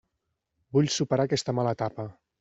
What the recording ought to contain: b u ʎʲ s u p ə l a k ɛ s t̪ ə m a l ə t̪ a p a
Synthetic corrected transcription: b u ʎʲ s u p ə ɾ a k ɛ s t̪ ə m a l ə t̪ a p ə